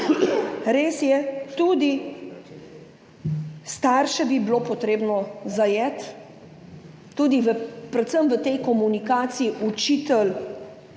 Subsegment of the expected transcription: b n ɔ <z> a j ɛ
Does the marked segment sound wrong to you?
no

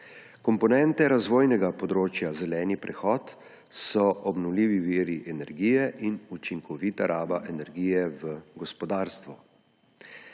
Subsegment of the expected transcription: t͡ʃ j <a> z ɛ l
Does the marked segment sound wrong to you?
no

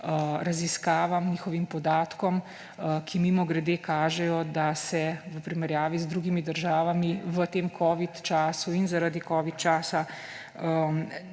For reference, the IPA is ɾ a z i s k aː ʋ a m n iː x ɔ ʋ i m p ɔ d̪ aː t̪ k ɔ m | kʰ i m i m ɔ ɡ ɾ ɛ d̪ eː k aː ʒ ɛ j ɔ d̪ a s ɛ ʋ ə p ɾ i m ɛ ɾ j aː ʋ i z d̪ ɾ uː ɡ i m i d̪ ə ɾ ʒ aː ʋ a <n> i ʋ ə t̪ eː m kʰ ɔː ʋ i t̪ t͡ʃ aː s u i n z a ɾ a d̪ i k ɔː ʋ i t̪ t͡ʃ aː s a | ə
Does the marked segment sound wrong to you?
yes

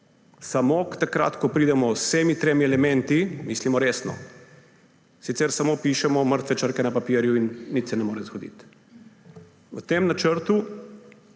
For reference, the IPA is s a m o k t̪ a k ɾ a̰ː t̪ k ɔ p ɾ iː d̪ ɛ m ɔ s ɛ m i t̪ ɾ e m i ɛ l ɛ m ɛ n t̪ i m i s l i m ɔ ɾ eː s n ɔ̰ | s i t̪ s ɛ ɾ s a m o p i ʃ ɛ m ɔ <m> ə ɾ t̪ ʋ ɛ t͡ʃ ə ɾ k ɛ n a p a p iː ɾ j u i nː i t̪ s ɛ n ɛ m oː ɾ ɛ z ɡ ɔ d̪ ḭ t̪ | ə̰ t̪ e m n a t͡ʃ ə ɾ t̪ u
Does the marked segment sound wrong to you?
no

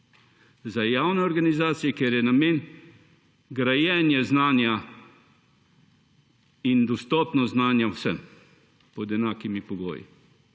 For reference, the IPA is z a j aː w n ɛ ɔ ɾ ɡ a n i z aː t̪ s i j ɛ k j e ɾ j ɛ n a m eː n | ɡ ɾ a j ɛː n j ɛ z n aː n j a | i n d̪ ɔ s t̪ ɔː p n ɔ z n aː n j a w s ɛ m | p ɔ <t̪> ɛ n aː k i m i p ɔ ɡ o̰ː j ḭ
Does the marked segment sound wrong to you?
yes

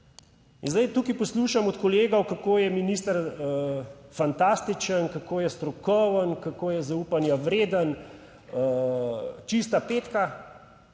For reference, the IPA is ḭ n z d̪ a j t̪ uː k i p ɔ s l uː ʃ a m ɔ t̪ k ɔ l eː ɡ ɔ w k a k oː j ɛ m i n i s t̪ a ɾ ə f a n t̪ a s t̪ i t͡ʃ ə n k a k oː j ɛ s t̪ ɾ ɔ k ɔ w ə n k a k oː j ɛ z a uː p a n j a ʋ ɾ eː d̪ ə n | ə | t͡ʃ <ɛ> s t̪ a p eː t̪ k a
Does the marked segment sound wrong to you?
yes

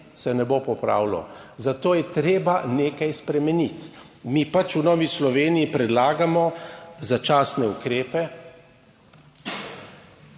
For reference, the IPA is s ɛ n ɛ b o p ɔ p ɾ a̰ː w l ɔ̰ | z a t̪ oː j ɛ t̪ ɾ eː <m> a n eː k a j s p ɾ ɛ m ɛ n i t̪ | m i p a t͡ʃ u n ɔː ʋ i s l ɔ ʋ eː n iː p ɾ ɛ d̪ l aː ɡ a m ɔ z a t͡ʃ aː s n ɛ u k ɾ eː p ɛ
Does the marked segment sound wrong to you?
yes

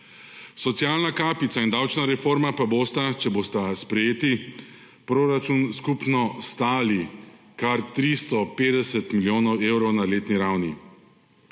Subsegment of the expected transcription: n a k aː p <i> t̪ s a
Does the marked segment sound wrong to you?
no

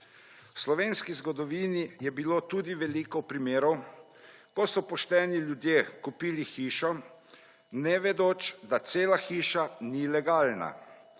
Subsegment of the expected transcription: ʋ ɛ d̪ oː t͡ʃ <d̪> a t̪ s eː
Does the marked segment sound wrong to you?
no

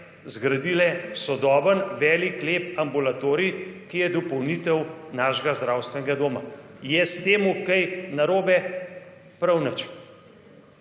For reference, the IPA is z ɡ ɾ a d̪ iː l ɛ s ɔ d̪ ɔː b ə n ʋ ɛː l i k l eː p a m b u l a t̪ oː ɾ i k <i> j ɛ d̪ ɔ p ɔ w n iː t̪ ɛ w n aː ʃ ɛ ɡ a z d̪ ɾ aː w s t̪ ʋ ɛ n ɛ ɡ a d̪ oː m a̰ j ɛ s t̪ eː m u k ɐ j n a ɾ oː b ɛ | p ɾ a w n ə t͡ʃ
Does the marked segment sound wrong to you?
no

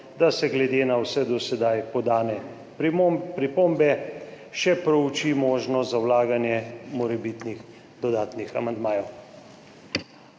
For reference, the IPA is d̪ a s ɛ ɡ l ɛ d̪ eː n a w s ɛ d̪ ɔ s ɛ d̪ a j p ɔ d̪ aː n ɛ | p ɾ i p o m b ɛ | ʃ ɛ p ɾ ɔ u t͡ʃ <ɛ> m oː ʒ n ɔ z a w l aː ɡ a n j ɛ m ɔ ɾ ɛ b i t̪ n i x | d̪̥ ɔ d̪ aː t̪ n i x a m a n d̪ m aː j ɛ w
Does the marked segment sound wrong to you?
yes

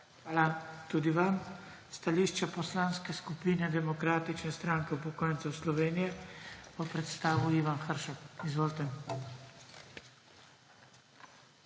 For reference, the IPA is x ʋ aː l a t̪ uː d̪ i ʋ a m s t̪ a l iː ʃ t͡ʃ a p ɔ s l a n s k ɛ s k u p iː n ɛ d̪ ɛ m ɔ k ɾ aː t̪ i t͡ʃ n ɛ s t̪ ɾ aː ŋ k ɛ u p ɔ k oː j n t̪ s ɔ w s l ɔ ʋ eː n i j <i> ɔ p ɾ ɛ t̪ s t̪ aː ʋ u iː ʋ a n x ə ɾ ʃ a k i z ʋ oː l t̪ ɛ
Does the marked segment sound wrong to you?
yes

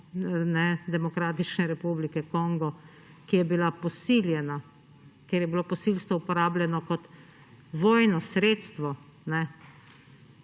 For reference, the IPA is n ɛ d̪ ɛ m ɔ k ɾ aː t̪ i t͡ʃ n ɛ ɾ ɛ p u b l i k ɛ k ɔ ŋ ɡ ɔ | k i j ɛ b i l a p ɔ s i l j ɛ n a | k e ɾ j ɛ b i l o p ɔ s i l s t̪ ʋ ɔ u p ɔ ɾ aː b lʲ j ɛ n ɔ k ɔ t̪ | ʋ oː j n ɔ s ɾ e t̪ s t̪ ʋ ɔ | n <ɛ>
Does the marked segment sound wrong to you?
no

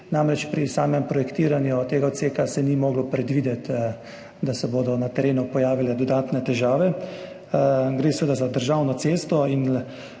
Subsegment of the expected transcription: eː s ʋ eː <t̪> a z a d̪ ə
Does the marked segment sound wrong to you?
yes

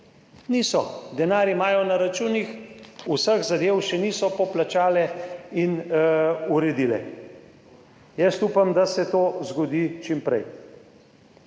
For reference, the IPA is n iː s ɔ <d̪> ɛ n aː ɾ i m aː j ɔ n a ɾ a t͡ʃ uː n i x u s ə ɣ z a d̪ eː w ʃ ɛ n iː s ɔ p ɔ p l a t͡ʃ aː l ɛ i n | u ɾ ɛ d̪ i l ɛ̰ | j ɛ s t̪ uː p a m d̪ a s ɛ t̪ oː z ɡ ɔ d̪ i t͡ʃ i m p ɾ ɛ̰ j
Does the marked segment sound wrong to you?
no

